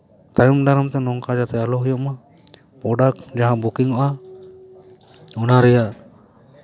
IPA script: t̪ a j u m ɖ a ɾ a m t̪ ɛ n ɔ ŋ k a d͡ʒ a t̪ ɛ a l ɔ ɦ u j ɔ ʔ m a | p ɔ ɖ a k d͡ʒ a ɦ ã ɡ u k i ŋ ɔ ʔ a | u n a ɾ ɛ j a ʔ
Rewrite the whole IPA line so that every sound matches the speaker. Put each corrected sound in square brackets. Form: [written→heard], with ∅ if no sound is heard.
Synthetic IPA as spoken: t̪ a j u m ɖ a ɾ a m t̪ ɛ n ɔ ŋ k a d͡ʒ a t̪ ɛ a l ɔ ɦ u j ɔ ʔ m a | p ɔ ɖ a k d͡ʒ a ɦ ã [ɡ→b] u k i ŋ ɔ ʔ a | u n a ɾ ɛ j a ʔ

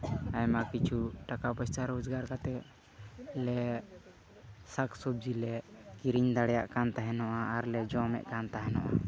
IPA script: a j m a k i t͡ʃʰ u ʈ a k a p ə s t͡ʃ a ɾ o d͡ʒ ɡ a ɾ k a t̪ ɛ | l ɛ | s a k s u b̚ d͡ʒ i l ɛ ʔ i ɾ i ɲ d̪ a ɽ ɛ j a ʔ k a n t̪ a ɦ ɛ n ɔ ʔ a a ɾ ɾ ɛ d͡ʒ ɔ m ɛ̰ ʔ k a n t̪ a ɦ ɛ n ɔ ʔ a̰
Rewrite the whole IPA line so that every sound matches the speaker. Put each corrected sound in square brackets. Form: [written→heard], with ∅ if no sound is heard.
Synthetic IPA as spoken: a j m a k i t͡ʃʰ u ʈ a k a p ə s t͡ʃ a ɾ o d͡ʒ ɡ a ɾ k a t̪ ɛ | l ɛ | s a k s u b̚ d͡ʒ i l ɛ [ʔ→k] i ɾ i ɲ d̪ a ɽ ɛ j a ʔ k a n t̪ a ɦ ɛ n ɔ ʔ a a ɾ [ɾ→l] ɛ d͡ʒ ɔ m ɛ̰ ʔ k a n t̪ a ɦ ɛ n ɔ ʔ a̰

